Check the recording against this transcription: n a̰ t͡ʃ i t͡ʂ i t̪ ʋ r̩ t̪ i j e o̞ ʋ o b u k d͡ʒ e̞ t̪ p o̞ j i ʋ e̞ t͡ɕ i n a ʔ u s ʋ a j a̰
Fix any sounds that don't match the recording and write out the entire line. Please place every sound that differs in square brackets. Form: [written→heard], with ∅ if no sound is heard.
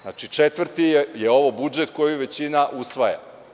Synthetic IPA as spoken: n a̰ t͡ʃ i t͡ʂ [i→e] t̪ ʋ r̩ t̪ i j e o̞ ʋ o b u [k→∅] d͡ʒ e̞ t̪ [p→k] o̞ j i ʋ e̞ t͡ɕ i n a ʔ u s ʋ a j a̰